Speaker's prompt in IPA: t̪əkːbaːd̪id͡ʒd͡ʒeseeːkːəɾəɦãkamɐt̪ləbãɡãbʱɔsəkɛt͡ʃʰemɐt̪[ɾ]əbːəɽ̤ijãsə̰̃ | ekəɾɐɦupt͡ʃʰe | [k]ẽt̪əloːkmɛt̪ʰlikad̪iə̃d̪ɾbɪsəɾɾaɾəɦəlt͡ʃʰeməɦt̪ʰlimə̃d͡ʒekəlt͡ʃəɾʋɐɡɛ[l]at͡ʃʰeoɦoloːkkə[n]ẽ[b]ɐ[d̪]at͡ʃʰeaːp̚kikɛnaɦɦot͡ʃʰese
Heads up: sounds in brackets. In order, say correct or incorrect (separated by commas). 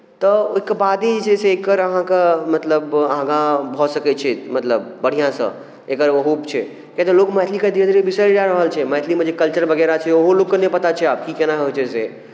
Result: incorrect, correct, incorrect, correct, incorrect, incorrect